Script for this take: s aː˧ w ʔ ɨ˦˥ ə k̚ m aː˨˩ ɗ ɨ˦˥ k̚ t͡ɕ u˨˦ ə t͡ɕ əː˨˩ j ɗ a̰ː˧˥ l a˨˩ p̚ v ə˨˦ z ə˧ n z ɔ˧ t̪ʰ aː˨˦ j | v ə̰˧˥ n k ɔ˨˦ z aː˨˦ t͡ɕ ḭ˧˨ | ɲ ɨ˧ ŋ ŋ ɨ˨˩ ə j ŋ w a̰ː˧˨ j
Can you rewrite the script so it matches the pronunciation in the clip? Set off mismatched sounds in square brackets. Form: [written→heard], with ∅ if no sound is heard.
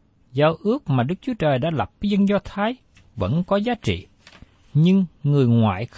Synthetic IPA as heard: [s→z] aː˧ w ʔ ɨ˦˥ ə k̚ m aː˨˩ ɗ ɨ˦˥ k̚ t͡ɕ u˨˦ ə t͡ɕ əː˨˩ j ɗ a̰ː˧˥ l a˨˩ p̚ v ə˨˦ z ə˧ n z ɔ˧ t̪ʰ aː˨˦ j | v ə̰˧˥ n k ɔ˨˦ z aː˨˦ t͡ɕ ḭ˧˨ | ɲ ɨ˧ ŋ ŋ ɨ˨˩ ə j ŋ w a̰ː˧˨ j